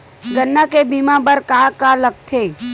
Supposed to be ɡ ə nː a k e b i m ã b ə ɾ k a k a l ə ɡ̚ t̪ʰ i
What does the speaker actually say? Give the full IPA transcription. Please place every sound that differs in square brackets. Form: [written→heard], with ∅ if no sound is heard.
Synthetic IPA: ɡ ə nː a k e b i m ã b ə ɾ k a k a l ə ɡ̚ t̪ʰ [i→e]